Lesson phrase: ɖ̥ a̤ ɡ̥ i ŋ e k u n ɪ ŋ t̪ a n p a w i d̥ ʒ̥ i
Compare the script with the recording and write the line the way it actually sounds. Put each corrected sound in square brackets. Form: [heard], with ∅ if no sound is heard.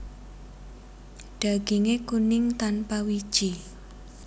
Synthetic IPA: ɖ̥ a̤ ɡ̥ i ŋ e k u n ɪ ŋ t̪ a n p a w i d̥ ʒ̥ i